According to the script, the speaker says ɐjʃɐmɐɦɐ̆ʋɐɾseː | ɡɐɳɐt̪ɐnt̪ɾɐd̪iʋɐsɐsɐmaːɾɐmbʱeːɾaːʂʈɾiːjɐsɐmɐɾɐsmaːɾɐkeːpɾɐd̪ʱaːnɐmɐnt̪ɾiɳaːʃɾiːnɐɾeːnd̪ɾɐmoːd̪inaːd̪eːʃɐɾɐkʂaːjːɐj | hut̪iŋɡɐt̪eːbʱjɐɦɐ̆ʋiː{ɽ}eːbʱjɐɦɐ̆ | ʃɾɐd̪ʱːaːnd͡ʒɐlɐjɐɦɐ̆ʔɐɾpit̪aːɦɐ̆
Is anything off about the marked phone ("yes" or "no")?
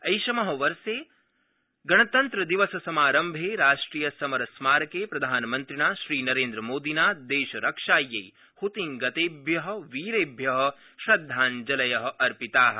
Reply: yes